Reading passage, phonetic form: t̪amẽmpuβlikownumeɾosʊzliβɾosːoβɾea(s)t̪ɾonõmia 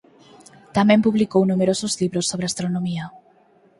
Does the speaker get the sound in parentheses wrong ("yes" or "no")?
no